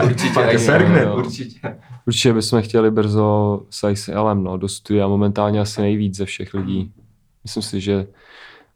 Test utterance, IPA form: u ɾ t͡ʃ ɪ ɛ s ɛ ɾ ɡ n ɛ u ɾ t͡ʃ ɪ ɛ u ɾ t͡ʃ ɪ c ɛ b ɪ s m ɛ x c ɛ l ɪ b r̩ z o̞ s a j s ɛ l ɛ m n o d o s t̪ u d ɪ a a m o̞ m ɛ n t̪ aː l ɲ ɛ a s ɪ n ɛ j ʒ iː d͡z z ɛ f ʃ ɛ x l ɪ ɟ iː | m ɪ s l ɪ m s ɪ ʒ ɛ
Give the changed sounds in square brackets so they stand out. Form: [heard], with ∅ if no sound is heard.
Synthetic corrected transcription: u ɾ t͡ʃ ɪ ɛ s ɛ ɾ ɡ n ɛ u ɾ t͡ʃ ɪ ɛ u ɾ t͡ʃ ɪ c ɛ b ɪ s m ɛ x c ɛ l ɪ b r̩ z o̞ s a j s ɛ l ɛ m n o d o s t̪ u d ɪ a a m o̞ m ɛ n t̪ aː l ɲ ɛ a s ɪ n ɛ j [v] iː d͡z z ɛ f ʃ ɛ x l ɪ ɟ iː | m ɪ s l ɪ m s ɪ ʒ ɛ